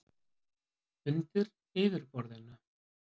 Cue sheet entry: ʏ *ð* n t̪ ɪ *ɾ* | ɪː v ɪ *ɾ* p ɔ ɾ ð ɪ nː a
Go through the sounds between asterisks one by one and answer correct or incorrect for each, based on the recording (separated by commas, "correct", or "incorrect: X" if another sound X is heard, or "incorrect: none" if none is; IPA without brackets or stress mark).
incorrect: none, correct, correct